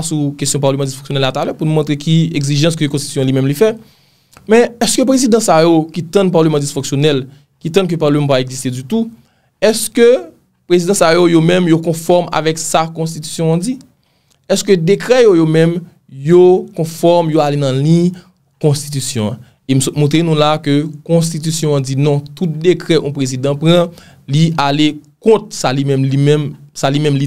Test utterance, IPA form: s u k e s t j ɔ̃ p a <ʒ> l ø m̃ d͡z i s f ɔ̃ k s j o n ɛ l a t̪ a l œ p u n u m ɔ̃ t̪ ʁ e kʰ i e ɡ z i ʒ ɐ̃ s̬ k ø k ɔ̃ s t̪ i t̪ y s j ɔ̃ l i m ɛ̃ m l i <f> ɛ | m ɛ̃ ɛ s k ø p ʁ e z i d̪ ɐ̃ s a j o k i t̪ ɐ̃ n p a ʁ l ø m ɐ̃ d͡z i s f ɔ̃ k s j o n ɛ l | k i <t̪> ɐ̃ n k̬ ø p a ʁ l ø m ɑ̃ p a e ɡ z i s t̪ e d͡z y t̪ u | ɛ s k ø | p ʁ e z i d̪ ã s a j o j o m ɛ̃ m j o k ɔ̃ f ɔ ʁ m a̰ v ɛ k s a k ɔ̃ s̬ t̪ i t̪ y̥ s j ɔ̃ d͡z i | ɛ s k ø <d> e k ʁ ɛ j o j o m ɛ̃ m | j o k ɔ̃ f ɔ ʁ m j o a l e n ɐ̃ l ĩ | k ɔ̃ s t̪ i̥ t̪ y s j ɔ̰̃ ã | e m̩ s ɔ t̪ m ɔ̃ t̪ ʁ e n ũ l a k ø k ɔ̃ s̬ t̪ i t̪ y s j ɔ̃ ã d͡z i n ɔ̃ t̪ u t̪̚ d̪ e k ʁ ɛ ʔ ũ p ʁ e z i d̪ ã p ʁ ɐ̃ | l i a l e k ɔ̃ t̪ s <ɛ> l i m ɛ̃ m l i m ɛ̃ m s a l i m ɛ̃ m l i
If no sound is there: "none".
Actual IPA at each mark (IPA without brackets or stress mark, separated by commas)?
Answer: ʁ, f, t̪, d, a